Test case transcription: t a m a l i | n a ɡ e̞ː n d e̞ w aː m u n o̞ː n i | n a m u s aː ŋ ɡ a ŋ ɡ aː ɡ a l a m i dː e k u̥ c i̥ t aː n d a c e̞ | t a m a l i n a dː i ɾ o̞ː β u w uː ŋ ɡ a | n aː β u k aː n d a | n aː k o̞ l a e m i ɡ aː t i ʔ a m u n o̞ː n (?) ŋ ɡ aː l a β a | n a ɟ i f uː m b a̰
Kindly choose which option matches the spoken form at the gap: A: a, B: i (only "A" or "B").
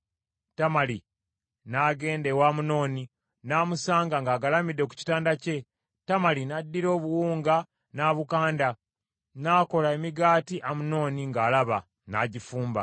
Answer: B